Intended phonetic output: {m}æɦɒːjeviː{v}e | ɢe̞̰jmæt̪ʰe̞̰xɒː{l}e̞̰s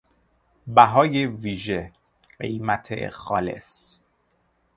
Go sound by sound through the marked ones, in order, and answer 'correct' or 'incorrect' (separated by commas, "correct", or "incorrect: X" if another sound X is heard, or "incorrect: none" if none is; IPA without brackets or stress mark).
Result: incorrect: b, incorrect: ʒ, correct